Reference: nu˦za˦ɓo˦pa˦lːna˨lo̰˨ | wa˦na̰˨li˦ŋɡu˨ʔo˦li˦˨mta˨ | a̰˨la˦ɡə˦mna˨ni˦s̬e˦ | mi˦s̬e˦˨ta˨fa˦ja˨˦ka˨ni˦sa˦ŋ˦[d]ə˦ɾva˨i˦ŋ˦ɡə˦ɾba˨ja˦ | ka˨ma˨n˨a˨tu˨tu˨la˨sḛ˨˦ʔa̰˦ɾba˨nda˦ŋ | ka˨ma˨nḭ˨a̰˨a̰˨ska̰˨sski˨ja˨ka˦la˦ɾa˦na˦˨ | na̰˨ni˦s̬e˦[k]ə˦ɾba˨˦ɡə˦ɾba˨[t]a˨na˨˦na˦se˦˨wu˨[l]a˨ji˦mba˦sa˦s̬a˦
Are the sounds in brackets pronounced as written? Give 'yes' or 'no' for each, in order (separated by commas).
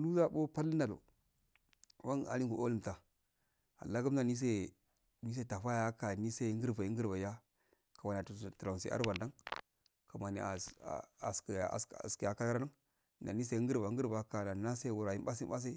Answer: no, no, no, no